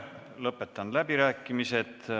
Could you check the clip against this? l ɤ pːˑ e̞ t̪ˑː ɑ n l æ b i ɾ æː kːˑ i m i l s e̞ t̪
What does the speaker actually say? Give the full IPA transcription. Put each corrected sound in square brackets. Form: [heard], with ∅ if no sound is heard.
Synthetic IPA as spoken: l ɤ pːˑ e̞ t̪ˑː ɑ n l æ b i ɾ æː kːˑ i m i [∅] s e̞ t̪